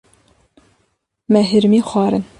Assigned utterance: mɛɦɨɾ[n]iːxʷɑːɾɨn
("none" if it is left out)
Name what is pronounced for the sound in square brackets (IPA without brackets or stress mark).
m